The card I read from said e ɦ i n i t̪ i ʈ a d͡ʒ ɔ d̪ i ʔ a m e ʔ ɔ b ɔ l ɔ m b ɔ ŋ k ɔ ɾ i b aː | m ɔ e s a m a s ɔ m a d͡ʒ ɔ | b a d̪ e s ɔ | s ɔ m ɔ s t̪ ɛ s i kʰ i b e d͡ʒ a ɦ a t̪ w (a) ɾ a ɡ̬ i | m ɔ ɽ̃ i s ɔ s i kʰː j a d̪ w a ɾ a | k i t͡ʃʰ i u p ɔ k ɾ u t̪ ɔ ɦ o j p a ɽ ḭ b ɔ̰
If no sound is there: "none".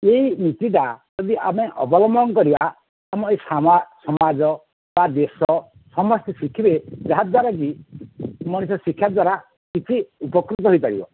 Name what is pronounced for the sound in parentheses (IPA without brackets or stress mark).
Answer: a